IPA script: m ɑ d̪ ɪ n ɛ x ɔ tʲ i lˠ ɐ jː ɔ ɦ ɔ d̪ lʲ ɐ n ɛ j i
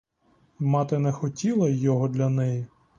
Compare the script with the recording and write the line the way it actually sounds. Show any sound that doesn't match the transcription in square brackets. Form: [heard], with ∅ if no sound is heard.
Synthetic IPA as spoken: m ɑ [t̪] ɪ n ɛ x ɔ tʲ i lˠ ɐ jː ɔ ɦ ɔ d̪ lʲ ɐ n ɛ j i